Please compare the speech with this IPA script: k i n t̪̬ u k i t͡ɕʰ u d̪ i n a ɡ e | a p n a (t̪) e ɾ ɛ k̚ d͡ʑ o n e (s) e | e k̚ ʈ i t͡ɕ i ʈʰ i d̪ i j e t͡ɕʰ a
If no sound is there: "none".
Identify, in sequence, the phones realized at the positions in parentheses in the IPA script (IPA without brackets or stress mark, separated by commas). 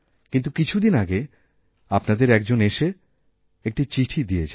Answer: d̪, ʃ